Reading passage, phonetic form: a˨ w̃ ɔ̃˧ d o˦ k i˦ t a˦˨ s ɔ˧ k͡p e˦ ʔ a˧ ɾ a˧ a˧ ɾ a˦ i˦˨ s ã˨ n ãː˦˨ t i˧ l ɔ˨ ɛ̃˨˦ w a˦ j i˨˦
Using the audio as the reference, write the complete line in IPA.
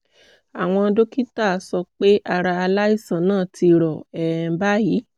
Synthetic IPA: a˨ w̃ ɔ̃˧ d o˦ k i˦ t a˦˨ s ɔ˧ k͡p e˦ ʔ a˧ ɾ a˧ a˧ l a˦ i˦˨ s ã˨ n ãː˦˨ t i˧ ɾ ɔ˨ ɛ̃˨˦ b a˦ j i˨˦